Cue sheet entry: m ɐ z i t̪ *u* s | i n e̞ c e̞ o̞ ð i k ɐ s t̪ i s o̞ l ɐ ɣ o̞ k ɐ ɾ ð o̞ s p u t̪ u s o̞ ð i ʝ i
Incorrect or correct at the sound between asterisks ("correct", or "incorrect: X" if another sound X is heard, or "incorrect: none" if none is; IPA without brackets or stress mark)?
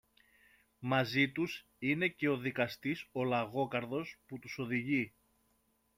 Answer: correct